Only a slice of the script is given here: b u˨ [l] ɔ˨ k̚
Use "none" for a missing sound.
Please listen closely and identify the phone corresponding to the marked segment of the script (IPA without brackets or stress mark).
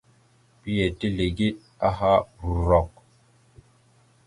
ɾ